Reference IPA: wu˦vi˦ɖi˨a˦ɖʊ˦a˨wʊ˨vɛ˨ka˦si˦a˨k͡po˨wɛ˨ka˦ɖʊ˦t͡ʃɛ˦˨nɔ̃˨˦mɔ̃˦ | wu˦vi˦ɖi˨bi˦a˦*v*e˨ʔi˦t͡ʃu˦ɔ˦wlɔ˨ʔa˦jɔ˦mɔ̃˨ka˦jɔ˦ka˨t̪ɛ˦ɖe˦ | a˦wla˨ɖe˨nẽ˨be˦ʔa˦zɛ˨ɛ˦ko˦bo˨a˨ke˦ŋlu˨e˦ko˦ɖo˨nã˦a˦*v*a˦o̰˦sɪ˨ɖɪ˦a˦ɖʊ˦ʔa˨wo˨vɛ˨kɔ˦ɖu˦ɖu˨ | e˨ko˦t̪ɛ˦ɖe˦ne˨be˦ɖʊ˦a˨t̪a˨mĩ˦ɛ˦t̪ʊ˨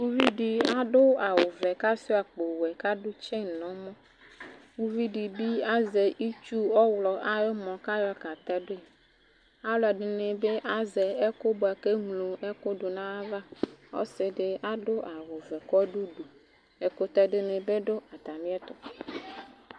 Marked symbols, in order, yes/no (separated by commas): no, yes